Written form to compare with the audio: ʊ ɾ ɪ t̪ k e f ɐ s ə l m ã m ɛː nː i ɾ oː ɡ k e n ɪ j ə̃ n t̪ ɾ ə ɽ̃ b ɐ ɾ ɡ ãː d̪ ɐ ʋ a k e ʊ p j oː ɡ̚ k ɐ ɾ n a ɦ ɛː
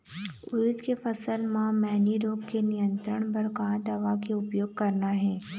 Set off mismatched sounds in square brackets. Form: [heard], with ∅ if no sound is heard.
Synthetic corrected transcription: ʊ ɾ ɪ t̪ k e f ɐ s ə l m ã m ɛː [n] i ɾ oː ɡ k e n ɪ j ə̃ n t̪ ɾ ə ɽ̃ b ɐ ɾ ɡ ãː d̪ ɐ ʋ a k e ʊ p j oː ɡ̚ k ɐ ɾ n a ɦ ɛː

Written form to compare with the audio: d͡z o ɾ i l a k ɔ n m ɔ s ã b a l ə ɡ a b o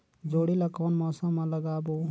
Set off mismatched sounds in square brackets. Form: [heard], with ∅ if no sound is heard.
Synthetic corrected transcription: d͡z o [ɽ] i l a k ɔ n m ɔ s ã [m] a l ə ɡ a b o

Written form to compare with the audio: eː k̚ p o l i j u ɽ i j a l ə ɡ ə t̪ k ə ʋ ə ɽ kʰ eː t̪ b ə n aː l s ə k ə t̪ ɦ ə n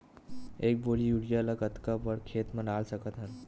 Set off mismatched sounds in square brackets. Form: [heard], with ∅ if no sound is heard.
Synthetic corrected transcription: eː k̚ [b] o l i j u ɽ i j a l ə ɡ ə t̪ k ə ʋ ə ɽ kʰ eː t̪ [m] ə n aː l s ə k ə t̪ ɦ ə n

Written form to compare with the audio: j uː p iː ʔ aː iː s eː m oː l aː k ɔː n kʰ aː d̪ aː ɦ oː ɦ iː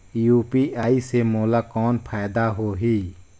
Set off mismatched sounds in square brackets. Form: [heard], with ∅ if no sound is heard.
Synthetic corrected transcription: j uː p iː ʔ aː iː s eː m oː l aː k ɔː n [pʰ] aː d̪ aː ɦ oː ɦ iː

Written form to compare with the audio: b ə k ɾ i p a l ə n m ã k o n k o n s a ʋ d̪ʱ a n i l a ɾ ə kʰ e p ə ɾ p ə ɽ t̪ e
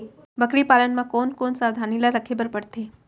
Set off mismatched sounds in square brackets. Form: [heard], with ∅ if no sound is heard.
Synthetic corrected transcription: b ə k ɾ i p a l ə n m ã k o n k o n s a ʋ d̪ʱ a n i l a ɾ ə kʰ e [b] ə ɾ p ə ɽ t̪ e

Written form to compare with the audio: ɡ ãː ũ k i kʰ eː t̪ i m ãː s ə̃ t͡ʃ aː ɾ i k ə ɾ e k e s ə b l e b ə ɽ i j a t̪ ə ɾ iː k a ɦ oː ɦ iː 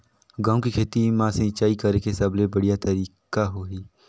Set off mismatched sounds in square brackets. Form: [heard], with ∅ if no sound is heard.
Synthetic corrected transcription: ɡ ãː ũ k i kʰ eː t̪ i m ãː s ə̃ t͡ʃ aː [∅] i k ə ɾ e k e s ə b l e b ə ɽ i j a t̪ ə ɾ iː k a ɦ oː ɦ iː

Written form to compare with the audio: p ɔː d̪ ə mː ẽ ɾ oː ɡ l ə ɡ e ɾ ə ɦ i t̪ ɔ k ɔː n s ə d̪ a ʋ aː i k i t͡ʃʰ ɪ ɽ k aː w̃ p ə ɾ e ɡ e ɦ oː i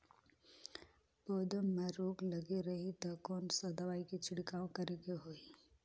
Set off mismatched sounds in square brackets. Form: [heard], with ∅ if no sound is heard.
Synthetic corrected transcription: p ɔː d̪ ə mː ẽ ɾ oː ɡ l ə ɡ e ɾ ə ɦ i t̪ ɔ k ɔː n s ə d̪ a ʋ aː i k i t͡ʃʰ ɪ ɽ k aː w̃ [k] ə ɾ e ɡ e ɦ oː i

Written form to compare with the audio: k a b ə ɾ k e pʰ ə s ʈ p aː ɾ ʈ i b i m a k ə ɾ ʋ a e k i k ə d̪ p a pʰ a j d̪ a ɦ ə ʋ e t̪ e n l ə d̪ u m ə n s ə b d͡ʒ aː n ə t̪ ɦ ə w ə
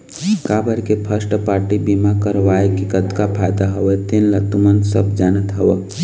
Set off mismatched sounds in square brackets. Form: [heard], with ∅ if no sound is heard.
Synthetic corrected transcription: k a b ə ɾ k e pʰ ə s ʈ p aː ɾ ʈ i b i m a k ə ɾ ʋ a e k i k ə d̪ [k] a pʰ a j d̪ a ɦ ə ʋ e t̪ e n l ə [t̪] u m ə n s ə b d͡ʒ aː n ə t̪ ɦ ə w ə

